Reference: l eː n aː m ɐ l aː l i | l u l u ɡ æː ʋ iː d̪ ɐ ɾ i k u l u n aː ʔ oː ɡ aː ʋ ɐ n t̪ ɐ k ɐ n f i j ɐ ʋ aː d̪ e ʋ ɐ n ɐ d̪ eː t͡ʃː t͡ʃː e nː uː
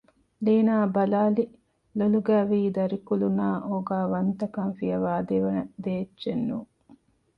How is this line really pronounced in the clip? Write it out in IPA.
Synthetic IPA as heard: l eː n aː b ɐ l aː l i | l o l u ɡ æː ʋ iː d̪ ɐ ɾ i k u l u n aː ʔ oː ɡ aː ʋ ɐ n t̪ ɐ k ɐ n f i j ɐ ʋ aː d̪ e ʋ ɐ n ɐ d̪ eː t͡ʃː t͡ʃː e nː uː